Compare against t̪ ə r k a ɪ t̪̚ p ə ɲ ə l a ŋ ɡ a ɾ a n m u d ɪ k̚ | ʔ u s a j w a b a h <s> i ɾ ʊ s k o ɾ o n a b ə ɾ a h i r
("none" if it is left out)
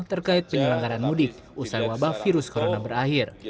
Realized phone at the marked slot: f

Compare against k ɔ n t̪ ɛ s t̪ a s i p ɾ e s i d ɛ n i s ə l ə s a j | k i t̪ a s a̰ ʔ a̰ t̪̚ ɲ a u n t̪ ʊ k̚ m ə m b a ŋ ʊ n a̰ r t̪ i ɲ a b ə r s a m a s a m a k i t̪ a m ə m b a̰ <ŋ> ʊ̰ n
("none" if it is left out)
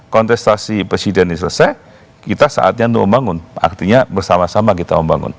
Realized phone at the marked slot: ŋ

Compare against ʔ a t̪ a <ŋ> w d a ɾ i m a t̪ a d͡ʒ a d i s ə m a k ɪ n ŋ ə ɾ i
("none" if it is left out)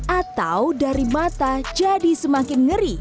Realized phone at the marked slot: none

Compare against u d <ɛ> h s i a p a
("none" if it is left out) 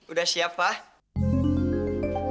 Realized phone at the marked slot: a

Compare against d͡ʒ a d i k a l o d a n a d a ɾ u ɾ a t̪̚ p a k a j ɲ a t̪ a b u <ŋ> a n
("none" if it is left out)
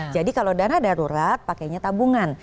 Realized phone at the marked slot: ŋ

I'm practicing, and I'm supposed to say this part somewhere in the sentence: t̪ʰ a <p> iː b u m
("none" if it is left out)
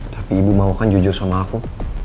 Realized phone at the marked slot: p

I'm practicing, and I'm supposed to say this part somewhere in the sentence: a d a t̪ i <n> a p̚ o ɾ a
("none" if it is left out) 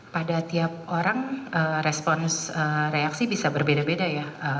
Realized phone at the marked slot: none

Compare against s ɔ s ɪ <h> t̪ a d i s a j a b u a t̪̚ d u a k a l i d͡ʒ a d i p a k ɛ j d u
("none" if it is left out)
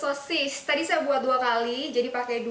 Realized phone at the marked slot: s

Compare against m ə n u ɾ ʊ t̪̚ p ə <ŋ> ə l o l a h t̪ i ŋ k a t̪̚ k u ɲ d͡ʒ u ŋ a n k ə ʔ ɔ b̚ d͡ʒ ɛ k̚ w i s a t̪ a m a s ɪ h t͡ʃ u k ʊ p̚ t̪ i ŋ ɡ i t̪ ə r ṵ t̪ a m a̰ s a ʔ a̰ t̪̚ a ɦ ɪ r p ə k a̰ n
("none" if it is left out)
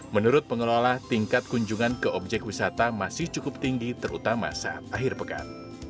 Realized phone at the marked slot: ŋ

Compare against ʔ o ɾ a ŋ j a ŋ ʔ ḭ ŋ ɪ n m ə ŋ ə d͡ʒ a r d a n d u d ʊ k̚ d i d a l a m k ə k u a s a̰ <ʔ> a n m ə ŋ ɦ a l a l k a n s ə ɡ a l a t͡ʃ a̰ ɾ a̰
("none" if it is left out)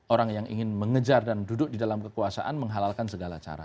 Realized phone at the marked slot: ʔ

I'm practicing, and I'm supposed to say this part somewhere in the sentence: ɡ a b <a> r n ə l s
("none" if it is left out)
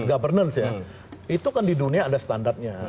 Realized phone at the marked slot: ə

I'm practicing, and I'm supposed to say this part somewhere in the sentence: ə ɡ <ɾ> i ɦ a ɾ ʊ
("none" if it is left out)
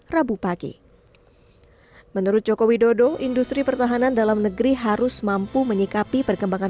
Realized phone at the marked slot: ɾ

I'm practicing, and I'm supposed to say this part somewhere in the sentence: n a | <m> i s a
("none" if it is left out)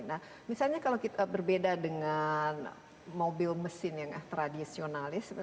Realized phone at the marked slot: m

